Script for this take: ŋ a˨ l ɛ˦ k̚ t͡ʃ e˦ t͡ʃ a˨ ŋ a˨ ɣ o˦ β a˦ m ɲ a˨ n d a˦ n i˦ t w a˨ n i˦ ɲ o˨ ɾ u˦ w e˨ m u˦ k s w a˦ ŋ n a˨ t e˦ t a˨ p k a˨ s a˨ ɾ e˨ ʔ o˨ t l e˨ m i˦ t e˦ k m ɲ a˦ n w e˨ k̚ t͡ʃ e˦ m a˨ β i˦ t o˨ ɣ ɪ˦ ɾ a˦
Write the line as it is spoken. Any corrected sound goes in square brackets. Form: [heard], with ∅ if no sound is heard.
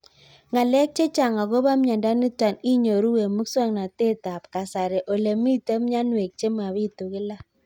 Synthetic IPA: ŋ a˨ l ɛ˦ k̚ t͡ʃ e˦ t͡ʃ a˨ ŋ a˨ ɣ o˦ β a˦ m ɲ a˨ n d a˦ n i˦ t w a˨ n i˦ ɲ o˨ ɾ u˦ w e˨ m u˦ k s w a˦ ŋ n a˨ t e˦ t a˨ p k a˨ s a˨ ɾ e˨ ʔ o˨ [∅] l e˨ m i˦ t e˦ [∅] m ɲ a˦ n w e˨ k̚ t͡ʃ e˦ m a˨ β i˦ t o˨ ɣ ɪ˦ [l] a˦

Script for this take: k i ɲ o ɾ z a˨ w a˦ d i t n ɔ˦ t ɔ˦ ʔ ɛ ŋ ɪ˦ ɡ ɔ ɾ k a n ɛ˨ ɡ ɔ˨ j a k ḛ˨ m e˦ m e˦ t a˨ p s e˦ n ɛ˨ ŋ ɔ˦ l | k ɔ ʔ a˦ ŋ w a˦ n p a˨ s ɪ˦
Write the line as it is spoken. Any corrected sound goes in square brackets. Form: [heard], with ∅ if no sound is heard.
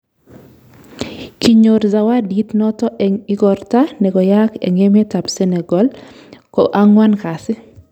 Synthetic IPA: k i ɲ o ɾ z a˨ w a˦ d i t n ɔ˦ t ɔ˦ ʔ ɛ ŋ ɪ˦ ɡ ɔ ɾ [t] a n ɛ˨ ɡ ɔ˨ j a k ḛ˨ [ŋ] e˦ m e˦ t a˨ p s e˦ n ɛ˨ [ɡ] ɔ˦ l | k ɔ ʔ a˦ ŋ w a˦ n [k] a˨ s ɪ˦

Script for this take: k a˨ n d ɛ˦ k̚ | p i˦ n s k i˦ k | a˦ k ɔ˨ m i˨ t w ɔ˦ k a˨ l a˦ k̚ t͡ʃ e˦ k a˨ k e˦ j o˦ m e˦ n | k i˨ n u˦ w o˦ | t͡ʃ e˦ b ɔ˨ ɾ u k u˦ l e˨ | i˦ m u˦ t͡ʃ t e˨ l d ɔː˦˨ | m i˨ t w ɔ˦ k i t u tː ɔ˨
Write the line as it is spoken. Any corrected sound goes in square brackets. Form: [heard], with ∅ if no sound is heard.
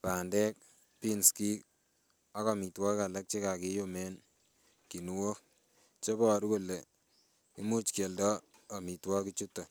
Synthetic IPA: [p] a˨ n d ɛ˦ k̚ | p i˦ n s k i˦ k | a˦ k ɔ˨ m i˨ t w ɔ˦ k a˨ l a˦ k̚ t͡ʃ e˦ k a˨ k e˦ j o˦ m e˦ n | k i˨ n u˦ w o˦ | t͡ʃ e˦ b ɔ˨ ɾ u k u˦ l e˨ | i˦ m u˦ t͡ʃ [k] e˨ l d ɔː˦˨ | m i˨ t w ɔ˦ k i [t͡ʃ] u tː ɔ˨

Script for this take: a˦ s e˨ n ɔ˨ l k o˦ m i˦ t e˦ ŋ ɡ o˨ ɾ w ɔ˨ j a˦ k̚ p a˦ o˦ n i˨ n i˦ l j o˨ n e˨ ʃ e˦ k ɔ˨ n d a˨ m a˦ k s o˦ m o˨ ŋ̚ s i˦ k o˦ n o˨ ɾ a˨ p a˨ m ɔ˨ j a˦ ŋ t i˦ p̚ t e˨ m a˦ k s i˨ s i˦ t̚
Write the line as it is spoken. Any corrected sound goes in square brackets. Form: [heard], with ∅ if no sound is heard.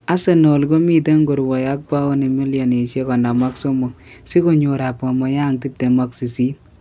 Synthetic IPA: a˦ s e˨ n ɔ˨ l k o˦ m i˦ t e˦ ŋ ɡ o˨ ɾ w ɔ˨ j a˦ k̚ p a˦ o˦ n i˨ [m] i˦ l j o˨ n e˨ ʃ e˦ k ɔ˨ n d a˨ m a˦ k s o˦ m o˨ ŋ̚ s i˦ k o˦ [ɲ] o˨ ɾ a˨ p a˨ m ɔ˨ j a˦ ŋ t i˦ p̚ t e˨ m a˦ k s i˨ s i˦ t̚

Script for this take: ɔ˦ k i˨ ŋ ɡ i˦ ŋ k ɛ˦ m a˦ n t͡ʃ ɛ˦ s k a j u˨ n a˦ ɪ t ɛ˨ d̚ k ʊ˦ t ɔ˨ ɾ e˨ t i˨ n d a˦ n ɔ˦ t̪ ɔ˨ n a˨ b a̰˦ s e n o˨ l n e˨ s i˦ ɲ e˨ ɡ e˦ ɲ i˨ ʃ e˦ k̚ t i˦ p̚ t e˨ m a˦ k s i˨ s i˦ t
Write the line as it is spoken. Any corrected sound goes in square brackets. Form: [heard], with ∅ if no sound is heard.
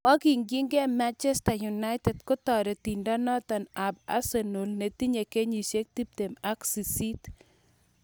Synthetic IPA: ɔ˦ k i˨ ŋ ɡ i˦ ŋ [ɡ] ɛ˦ m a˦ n t͡ʃ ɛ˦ s [t] a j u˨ n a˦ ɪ t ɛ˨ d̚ k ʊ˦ t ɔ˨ ɾ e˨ t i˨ n d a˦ n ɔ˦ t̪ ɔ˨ n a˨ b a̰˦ s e n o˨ l n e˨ [t] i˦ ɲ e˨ [k] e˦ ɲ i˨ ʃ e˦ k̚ t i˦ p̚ t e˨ m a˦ k s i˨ s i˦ t

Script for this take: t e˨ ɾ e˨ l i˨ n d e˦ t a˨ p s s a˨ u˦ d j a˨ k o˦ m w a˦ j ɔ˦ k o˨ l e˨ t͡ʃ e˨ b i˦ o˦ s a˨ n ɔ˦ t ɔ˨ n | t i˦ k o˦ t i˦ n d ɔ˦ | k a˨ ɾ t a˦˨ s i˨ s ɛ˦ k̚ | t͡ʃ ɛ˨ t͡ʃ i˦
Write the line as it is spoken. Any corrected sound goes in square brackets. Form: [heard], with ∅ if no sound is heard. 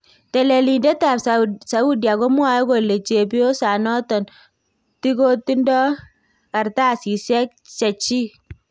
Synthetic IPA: t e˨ [l] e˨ l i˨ n d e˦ t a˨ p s s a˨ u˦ d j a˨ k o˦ m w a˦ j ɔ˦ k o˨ l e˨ t͡ʃ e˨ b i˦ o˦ s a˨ n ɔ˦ t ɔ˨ n | t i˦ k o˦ t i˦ n d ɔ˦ | k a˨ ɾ t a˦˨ s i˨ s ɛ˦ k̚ | t͡ʃ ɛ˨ t͡ʃ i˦

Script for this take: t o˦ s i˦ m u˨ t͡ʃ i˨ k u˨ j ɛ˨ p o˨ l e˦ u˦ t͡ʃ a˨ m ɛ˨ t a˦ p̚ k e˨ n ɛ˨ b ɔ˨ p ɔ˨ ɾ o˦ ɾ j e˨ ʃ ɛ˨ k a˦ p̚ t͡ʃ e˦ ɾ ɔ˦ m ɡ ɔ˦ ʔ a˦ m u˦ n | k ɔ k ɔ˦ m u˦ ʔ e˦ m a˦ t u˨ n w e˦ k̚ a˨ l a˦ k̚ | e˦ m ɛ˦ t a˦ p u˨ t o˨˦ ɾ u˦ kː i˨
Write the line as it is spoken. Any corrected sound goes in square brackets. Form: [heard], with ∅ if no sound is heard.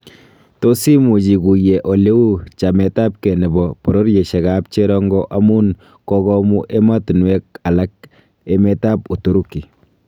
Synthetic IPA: t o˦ s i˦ m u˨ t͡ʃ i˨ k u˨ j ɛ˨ [ʔ] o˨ l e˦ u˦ t͡ʃ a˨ m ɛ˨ t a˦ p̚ k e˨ n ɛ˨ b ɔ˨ p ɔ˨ ɾ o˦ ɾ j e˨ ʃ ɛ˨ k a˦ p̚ t͡ʃ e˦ ɾ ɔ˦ [ŋ] ɡ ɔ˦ ʔ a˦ m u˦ n | k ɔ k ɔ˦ m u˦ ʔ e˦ m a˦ t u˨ n w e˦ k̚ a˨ l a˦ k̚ | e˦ m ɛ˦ t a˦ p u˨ t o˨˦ ɾ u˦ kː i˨

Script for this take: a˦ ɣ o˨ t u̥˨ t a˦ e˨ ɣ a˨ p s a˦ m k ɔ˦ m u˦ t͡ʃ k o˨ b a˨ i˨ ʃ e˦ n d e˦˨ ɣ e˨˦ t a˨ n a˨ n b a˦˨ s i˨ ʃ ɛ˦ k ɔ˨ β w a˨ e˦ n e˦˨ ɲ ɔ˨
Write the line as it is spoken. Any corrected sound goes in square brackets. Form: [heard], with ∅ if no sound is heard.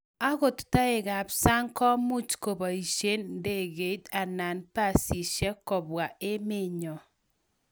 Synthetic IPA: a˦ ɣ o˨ t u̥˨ t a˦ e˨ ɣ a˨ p s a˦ [ŋ] k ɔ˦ m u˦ t͡ʃ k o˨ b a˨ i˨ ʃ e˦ n d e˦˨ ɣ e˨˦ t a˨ n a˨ n [p] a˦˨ s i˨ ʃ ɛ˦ k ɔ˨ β w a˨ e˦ [m] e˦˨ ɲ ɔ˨

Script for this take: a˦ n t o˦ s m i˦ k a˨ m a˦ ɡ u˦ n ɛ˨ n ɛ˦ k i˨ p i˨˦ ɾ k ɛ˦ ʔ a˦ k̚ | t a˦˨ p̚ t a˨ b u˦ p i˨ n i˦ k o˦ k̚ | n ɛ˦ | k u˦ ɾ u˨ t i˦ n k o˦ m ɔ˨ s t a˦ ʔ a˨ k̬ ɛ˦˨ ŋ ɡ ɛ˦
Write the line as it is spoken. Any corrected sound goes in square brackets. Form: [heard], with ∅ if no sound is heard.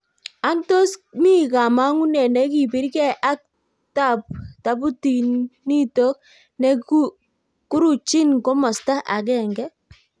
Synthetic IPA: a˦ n t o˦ s m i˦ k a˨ m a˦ [ŋ] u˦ n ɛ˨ n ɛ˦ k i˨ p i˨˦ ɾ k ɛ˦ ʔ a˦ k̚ | t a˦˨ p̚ t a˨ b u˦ [t] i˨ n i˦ [t] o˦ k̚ | n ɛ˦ | k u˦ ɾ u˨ [t͡ʃ] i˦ n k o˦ m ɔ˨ s t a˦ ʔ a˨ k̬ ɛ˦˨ ŋ ɡ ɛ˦

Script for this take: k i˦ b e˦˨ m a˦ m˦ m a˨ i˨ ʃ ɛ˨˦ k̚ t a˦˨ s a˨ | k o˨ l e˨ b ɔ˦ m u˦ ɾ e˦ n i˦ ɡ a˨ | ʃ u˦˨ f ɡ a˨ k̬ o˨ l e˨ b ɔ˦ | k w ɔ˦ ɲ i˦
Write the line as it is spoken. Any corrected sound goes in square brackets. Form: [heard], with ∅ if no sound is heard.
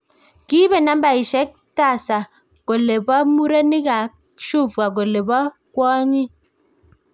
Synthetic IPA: k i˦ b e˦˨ [n] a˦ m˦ [b] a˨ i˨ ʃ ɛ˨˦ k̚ t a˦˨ s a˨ | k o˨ l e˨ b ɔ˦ m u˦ ɾ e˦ n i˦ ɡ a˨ | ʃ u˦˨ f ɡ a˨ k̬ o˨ l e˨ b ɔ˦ | k w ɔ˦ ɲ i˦

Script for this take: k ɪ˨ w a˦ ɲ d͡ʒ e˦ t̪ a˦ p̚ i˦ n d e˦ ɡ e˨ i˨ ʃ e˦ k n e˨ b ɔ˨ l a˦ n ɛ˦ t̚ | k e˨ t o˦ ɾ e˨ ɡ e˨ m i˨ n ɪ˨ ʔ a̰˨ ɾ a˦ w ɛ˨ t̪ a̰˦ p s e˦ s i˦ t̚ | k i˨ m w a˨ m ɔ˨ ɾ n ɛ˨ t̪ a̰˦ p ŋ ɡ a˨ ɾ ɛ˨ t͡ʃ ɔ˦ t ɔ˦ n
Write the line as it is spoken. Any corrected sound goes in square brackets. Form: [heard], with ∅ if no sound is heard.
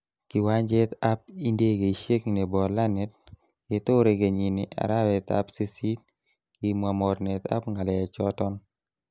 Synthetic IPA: k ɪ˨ w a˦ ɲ d͡ʒ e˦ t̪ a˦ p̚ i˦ n d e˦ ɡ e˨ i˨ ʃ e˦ k n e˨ b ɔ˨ l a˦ n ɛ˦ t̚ | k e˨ t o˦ ɾ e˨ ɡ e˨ [ɲ] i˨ n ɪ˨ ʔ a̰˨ ɾ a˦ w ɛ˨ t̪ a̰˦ p s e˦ s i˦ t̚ | k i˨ m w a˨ m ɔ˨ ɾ n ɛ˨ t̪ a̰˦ p ŋ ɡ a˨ [l] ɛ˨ t͡ʃ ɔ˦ t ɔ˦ n

